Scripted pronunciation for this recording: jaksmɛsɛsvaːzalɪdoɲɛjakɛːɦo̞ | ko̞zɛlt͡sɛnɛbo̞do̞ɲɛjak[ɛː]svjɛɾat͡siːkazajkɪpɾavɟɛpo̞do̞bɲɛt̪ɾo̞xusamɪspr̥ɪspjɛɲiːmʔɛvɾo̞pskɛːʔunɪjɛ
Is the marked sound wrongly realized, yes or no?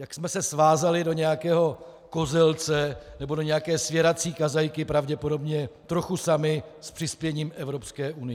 no